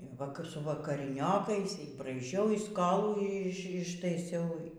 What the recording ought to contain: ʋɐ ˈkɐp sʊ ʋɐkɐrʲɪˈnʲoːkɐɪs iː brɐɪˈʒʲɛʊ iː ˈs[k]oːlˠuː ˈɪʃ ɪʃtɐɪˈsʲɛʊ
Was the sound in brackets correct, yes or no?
yes